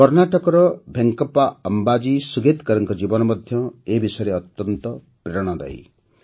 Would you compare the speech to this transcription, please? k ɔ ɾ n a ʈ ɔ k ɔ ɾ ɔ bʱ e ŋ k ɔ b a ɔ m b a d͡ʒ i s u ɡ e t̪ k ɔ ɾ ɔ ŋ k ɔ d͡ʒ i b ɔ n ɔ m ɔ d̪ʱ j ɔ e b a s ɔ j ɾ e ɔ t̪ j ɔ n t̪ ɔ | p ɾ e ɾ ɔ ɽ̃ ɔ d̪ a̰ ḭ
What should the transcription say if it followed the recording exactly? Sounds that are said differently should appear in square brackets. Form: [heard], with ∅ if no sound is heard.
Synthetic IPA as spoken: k ɔ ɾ n a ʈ ɔ k ɔ ɾ ɔ bʱ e ŋ k ɔ [p] a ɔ m b a d͡ʒ i s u ɡ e t̪ k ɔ ɾ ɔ ŋ k ɔ d͡ʒ i b ɔ n ɔ m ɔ d̪ʱ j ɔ e b [i] s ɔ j ɾ e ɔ t̪ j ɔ n t̪ ɔ | p ɾ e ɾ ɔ ɽ̃ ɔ d̪ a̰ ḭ